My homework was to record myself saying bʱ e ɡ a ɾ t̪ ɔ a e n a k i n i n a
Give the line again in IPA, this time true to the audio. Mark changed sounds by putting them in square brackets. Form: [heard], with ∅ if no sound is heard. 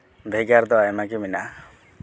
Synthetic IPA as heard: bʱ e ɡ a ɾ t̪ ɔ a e [m] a k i [m] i n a